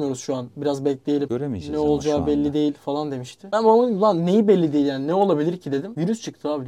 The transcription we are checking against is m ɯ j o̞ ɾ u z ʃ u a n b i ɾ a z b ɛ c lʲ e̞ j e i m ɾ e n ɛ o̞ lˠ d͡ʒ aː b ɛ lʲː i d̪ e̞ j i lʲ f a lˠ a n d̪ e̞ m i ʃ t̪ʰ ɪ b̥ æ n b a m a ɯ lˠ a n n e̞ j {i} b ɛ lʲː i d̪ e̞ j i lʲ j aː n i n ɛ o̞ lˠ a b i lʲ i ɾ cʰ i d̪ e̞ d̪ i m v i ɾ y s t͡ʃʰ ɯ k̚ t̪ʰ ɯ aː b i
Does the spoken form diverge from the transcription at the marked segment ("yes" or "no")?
no